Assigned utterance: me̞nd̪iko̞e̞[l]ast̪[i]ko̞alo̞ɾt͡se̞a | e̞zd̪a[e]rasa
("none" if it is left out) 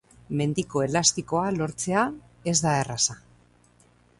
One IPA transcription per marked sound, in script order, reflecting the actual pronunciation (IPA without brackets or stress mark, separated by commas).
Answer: l, i, e